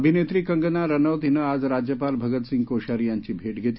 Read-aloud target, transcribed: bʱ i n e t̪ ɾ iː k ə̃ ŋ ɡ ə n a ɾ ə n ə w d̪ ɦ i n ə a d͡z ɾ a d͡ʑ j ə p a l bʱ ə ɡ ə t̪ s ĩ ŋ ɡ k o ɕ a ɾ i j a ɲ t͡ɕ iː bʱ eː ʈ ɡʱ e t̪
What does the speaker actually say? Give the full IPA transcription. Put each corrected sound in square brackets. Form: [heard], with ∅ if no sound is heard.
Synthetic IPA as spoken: bʱ i n e t̪ ɾ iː k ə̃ ŋ ɡ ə n a ɾ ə n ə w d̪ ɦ i n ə a d͡z ɾ a d͡ʑ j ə p a l bʱ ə ɡ ə t̪ s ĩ ŋ ɡ k o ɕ a ɾ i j a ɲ t͡ɕ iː bʱ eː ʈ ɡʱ e t̪